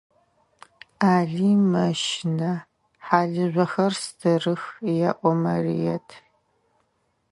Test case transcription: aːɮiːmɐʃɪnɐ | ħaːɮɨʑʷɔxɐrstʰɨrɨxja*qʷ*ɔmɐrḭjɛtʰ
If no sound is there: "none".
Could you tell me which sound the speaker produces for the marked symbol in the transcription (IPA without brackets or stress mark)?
ʔʷ